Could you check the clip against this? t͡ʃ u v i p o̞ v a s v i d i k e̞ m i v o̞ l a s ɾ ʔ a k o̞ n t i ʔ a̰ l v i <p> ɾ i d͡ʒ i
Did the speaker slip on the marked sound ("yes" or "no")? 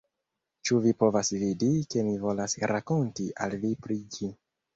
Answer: no